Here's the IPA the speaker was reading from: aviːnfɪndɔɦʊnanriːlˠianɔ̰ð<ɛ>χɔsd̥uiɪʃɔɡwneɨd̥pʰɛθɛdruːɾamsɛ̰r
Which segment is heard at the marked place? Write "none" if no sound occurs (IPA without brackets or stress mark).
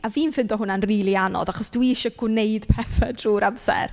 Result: a